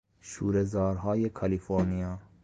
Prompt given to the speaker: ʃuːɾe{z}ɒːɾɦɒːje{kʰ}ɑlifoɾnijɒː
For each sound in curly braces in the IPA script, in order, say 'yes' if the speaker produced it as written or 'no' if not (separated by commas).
yes, yes